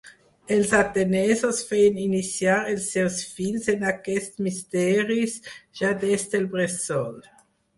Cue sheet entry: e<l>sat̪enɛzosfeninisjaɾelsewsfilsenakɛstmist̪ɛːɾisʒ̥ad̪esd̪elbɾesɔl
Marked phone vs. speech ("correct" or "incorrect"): correct